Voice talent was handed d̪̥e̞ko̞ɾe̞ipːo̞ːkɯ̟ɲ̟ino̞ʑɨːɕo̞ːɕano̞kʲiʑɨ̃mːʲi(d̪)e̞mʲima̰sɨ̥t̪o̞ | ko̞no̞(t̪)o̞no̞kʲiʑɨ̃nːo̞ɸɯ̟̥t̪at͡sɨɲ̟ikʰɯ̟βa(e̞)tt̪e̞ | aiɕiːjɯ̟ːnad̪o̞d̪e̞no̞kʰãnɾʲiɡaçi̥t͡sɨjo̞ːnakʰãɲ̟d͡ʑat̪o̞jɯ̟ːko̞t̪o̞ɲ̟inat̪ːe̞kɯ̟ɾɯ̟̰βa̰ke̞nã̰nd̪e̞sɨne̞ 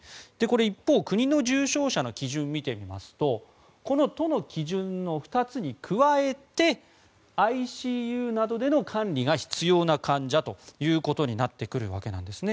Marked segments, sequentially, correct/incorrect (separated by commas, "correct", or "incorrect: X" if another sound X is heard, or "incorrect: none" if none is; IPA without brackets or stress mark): incorrect: t̪, correct, correct